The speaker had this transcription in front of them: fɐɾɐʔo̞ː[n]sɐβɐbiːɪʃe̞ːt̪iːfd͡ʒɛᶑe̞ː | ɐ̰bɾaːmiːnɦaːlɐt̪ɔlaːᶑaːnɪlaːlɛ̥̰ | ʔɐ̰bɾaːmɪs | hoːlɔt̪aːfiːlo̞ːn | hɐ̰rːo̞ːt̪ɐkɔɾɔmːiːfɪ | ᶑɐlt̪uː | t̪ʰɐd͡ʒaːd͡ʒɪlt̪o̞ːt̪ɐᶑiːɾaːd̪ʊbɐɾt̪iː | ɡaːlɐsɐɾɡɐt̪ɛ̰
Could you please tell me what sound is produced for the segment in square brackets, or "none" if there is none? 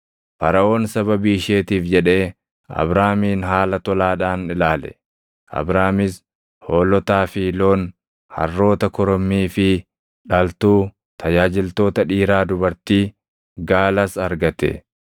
n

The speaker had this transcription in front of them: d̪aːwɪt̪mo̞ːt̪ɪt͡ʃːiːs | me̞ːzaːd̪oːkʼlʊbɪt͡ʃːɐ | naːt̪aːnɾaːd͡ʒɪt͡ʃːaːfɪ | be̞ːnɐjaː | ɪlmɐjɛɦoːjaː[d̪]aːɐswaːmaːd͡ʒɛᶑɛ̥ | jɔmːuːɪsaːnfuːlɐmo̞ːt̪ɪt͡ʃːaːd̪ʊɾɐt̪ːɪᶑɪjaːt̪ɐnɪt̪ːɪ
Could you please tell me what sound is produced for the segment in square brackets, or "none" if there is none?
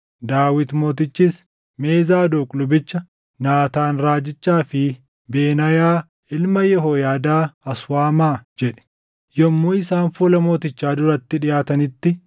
d̪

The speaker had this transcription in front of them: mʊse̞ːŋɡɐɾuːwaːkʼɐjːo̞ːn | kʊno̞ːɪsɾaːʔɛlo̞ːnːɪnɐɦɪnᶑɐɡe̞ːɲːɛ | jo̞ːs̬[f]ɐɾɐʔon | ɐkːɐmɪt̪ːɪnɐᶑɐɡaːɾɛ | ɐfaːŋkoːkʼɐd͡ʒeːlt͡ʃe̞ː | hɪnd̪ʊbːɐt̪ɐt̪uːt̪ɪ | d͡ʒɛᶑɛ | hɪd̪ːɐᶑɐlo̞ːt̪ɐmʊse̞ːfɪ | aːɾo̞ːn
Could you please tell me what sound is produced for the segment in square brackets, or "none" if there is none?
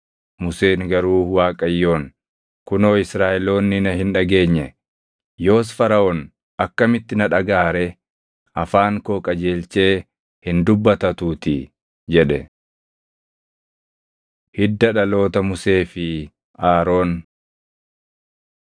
f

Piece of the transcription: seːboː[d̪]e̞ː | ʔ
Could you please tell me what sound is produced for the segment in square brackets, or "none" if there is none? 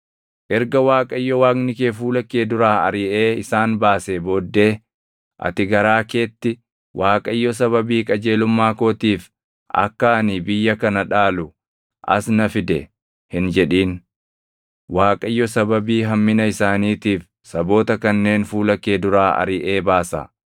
d̪ː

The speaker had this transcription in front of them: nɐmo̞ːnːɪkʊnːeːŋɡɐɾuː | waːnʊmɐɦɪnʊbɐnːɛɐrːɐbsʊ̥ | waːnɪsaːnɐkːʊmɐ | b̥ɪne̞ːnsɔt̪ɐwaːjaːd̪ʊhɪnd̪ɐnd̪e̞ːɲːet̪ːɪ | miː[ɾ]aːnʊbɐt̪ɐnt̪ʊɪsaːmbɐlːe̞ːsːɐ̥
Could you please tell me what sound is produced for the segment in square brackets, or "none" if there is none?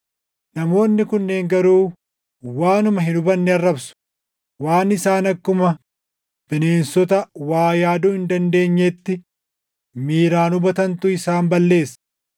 ɾ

